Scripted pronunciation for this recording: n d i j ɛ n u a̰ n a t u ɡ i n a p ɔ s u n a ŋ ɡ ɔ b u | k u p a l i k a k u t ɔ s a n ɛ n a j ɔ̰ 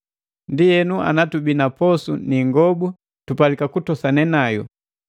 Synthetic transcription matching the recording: n d i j ɛ n u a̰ n a t u b i n a p ɔ s u n i ŋ ɡ ɔ b u | t u p a l i k a k u t ɔ s a n ɛ n a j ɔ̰